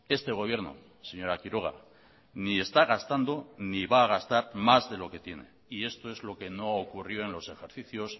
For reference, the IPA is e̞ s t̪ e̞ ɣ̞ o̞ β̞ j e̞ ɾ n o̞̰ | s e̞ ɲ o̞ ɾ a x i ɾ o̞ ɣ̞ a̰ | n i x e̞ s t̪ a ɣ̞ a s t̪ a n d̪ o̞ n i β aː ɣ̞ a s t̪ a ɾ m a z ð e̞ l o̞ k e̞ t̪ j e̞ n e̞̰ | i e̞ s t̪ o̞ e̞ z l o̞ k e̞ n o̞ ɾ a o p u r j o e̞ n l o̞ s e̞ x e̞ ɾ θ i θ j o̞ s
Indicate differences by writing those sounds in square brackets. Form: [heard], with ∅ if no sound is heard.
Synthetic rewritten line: e̞ s t̪ e̞ ɣ̞ o̞ β̞ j e̞ ɾ n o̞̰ | s e̞ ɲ o̞ ɾ a [k] i ɾ o̞ ɣ̞ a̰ | n i [∅] e̞ s t̪ a ɣ̞ a s t̪ a n d̪ o̞ n i β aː ɣ̞ a s t̪ a ɾ m a z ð e̞ l o̞ k e̞ t̪ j e̞ n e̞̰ | i e̞ s t̪ o̞ e̞ z l o̞ k e̞ n o̞ [∅] a o [k] u r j o e̞ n l o̞ s e̞ x e̞ ɾ θ i θ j o̞ s

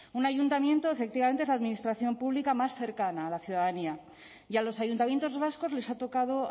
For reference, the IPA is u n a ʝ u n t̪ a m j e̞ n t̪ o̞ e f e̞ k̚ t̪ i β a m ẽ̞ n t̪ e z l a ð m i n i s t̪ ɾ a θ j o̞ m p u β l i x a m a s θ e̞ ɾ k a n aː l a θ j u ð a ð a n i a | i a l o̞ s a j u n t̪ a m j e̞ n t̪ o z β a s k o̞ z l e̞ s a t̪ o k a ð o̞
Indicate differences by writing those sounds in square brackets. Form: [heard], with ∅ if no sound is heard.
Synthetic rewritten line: u n a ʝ u n t̪ a m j e̞ n t̪ o̞ e f e̞ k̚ t̪ i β a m [e̞] n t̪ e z l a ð m i n i s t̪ ɾ a θ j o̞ m p u β l i [k] a m a s θ e̞ ɾ k a n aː l a θ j u ð a ð a n i a | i a l o̞ s a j u n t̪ a m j e̞ n t̪ o z β a s k o̞ z l e̞ s a t̪ o k a ð o̞

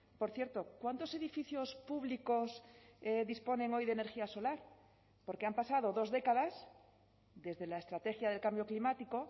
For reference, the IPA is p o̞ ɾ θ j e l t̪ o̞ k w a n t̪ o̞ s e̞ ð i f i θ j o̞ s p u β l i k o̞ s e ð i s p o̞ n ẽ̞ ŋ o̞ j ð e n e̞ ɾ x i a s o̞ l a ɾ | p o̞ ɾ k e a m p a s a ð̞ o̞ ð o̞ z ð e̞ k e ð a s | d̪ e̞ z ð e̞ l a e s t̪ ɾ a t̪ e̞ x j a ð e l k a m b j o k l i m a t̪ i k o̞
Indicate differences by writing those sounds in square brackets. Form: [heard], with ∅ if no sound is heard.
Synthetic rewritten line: p o̞ ɾ θ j e [ɾ] t̪ o̞ k w a n t̪ o̞ s e̞ ð i f i θ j o̞ s p u β l i k o̞ s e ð i s p o̞ n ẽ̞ ŋ o̞ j ð e n e̞ ɾ x i a s o̞ l a ɾ | p o̞ ɾ k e a m p a s a ð̞ o̞ ð o̞ z ð e̞ k [a] ð a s | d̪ e̞ z ð e̞ l a e s t̪ ɾ a t̪ e̞ x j a ð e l k a m b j o k l i m a t̪ i k o̞

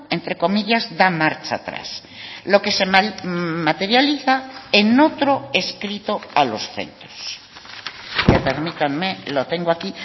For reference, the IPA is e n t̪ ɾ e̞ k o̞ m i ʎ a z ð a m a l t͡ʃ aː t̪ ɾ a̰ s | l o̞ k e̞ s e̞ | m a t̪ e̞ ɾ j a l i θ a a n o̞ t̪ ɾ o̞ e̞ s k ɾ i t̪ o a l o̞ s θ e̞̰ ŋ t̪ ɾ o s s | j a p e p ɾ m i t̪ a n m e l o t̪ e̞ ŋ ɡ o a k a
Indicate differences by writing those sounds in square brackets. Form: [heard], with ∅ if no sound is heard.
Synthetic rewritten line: e n t̪ ɾ e̞ k o̞ m i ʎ a z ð a m a [ɾ] t͡ʃ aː t̪ ɾ a̰ s | l o̞ k e̞ s e̞ | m a t̪ e̞ ɾ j a l i θ a [e] n o̞ t̪ ɾ o̞ e̞ s k ɾ i t̪ o a l o̞ s θ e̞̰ [n] t̪ ɾ o s s | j a p e [∅] ɾ m i t̪ a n m e l o t̪ e̞ ŋ ɡ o a k [i]

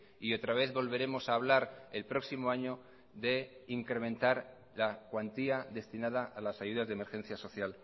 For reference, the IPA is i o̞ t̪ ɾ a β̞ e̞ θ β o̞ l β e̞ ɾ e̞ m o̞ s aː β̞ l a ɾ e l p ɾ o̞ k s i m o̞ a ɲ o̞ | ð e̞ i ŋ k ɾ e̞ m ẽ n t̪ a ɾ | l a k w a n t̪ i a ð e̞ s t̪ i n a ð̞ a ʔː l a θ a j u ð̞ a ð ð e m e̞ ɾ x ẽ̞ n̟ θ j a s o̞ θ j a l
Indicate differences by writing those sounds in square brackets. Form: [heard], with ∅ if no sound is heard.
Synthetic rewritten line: i o̞ t̪ ɾ a β̞ e̞ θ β o̞ l β e̞ ɾ e̞ m o̞ s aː β̞ l a ɾ e l p ɾ o̞ k s i m o̞ a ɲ o̞ | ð e̞ i ŋ k ɾ e̞ m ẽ n t̪ a ɾ | l a k w a n t̪ i a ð e̞ s t̪ i n a ð̞ a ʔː l a [s] a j u ð̞ a [z] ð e m e̞ ɾ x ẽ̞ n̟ θ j a s o̞ θ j a l

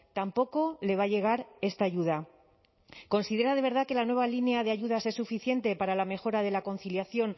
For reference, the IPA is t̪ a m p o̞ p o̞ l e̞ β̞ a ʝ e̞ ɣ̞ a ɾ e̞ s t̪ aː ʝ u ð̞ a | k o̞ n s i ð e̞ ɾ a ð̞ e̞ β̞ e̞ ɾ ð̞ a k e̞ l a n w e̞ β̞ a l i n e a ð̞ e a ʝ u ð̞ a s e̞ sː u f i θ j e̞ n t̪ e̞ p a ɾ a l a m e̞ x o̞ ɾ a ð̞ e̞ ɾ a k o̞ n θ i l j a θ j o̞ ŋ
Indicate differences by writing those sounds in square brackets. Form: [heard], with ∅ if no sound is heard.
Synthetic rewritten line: t̪ a m p o̞ [k] o̞ l e̞ β̞ a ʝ e̞ ɣ̞ a ɾ e̞ s t̪ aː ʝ u ð̞ a | k o̞ n s i ð e̞ ɾ a ð̞ e̞ β̞ e̞ ɾ ð̞ a k e̞ l a n w e̞ β̞ a l i n e a ð̞ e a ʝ u ð̞ a s e̞ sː u f i θ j e̞ n t̪ e̞ p a ɾ a l a m e̞ x o̞ ɾ a ð̞ e̞ [l] a k o̞ n θ i l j a θ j o̞ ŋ

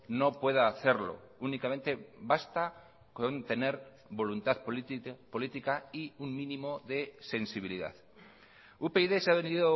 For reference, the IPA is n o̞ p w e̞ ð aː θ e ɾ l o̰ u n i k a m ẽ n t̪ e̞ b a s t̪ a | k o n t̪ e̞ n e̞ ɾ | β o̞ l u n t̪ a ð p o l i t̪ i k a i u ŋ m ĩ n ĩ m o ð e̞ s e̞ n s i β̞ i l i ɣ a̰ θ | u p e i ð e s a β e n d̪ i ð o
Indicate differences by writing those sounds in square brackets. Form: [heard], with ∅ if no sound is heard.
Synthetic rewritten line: n o̞ p w e̞ ð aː θ e ɾ l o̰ u n i k a m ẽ n t̪ e̞ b a s t̪ a | k o n t̪ e̞ n e̞ ɾ | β o̞ l u n t̪ a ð p o l i t̪ i k a i u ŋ m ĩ n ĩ m o ð e̞ s e̞ n s i β̞ i l i [ð] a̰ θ | u p e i ð e s a β e n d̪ i ð o

